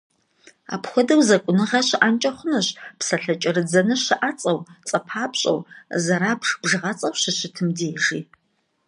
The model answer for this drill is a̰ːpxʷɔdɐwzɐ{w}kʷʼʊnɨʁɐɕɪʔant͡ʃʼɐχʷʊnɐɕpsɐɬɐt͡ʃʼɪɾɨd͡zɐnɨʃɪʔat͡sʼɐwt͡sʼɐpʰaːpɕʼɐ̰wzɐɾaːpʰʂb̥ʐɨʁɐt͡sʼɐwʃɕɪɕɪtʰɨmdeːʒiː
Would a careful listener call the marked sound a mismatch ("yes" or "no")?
yes